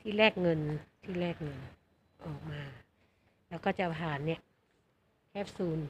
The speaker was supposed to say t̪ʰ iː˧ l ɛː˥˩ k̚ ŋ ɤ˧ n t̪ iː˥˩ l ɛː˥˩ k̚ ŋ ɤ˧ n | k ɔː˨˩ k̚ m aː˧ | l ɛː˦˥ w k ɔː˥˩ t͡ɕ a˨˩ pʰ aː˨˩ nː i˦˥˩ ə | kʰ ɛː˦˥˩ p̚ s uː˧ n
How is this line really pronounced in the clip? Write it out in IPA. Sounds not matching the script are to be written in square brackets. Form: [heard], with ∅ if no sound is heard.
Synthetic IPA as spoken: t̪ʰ [iː˥˩] l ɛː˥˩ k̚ ŋ ɤ˧ n [t̪ʰ] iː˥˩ l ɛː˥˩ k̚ ŋ ɤ˧ n | [ʔ] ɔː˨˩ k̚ m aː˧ | l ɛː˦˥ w k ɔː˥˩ t͡ɕ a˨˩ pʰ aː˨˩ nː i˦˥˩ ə | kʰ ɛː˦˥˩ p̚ s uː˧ n